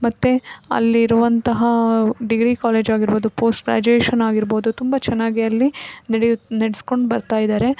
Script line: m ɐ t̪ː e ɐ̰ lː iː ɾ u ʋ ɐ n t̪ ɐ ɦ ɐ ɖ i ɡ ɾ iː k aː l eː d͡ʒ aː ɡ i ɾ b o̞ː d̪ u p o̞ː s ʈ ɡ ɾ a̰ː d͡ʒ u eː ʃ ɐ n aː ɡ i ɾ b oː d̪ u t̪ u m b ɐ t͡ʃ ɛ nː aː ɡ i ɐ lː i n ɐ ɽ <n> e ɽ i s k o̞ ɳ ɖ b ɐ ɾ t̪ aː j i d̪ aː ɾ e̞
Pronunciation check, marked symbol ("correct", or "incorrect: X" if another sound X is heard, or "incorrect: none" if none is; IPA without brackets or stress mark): correct